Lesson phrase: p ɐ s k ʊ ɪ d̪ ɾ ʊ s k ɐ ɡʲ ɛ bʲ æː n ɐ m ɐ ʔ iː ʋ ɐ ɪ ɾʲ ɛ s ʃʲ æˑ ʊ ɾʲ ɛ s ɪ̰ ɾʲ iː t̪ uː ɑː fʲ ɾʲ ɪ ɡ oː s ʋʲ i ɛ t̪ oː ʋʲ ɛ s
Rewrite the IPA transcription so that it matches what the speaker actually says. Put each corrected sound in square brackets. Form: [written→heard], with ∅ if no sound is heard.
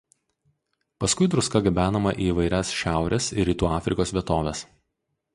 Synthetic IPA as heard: p ɐ s k ʊ ɪ d̪ ɾ ʊ s k ɐ ɡʲ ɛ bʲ æː n ɐ m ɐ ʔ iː ʋ ɐ ɪ ɾʲ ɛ s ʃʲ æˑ ʊ ɾʲ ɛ s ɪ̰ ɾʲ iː t̪ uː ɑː fʲ ɾʲ ɪ [ɡ→k] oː s ʋʲ i ɛ t̪ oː ʋʲ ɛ s

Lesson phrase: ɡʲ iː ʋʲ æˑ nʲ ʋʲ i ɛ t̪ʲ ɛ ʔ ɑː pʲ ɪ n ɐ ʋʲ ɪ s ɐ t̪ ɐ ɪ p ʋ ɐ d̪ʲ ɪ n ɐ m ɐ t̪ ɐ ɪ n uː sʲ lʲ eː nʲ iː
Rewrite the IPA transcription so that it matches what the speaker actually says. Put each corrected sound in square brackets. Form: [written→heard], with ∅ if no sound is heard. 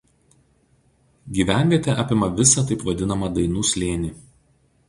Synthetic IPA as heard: ɡʲ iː ʋʲ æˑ nʲ ʋʲ i ɛ t̪ʲ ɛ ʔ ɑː pʲ ɪ [n→m] ɐ ʋʲ ɪ s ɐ t̪ ɐ ɪ p ʋ ɐ d̪ʲ ɪ n ɐ m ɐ [t̪→d̪] ɐ ɪ n uː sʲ lʲ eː nʲ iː

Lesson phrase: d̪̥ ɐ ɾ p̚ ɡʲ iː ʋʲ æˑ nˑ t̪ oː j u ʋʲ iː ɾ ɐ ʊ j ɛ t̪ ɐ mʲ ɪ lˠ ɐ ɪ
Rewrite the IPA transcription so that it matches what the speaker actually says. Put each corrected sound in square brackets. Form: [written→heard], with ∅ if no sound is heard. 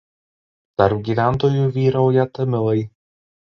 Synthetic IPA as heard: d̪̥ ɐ ɾ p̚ ɡʲ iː ʋʲ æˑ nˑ t̪ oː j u ʋʲ iː ɾ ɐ ʊ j ɛ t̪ ɐ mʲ ɪ lˠ ɐ ɪ

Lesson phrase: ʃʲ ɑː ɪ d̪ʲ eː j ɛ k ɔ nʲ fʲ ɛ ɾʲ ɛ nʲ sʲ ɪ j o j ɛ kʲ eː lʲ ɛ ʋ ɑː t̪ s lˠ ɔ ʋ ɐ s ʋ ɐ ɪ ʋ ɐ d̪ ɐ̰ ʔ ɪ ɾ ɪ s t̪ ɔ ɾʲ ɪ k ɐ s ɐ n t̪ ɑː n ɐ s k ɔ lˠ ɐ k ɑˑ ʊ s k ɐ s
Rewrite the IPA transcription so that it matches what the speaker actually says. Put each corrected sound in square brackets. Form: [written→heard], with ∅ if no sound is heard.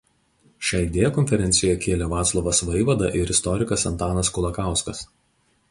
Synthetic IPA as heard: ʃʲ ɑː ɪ d̪ʲ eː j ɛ k ɔ nʲ fʲ ɛ ɾʲ ɛ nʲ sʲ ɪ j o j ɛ kʲ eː lʲ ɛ ʋ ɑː t̪ s lˠ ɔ ʋ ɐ s ʋ ɐ ɪ ʋ ɐ d̪ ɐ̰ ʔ ɪ ɾ ɪ s t̪ ɔ ɾʲ ɪ k ɐ s ɐ n t̪ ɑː n ɐ s k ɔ lˠ ɐ k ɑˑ ʊ s k ɐ s

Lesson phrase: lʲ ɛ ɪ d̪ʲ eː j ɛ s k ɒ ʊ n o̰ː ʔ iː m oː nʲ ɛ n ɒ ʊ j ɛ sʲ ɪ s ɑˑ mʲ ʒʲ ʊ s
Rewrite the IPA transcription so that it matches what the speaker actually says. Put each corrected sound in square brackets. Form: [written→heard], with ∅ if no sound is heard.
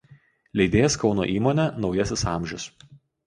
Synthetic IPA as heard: lʲ ɛ ɪ d̪ʲ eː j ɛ s k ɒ ʊ n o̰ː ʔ iː m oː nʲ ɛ n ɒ ʊ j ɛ sʲ ɪ s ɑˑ mʲ ʒʲ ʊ s

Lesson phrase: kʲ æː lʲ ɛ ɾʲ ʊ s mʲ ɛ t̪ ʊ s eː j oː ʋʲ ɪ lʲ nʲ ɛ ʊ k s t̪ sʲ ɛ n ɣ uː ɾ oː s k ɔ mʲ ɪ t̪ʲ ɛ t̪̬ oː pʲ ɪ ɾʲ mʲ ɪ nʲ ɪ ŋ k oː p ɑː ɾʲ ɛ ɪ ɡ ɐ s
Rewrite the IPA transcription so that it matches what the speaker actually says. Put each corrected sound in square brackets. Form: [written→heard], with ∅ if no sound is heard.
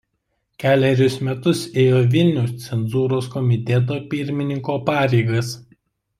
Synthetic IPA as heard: kʲ æː lʲ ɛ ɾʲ ʊ s mʲ ɛ t̪ ʊ s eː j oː ʋʲ ɪ lʲ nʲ ɛ ʊ [k→∅] s t̪ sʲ ɛ n [ɣ→z] uː ɾ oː s k ɔ mʲ ɪ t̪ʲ ɛ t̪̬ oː pʲ ɪ ɾʲ mʲ ɪ nʲ ɪ ŋ k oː p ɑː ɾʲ ɛ ɪ ɡ ɐ s

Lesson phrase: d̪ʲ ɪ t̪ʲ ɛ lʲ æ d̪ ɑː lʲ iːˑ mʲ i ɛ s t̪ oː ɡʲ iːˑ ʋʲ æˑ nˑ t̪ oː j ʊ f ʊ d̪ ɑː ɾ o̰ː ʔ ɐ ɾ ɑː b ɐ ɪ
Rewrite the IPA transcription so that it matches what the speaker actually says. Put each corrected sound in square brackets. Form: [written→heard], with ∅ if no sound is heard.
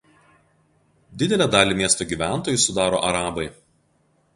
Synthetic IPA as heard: d̪ʲ ɪ [t̪ʲ→d̪ʲ] ɛ lʲ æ d̪ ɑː lʲ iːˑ mʲ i ɛ s t̪ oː ɡʲ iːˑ ʋʲ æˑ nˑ t̪ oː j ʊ [f→s] ʊ d̪ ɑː ɾ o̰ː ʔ ɐ ɾ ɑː b ɐ ɪ

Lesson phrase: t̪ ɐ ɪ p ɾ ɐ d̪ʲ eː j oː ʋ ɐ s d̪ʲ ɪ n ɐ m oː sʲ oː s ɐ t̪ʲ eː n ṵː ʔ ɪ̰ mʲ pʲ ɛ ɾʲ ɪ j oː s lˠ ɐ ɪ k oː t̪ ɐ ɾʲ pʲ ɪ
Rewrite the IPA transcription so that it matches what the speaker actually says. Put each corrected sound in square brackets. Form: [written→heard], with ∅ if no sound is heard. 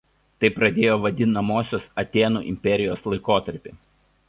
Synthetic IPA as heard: t̪ ɐ ɪ p ɾ ɐ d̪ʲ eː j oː ʋ ɐ [s→∅] d̪ʲ ɪ n ɐ m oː sʲ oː s ɐ t̪ʲ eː n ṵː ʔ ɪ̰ mʲ pʲ ɛ ɾʲ ɪ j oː s lˠ ɐ ɪ k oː t̪ ɐ ɾʲ pʲ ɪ

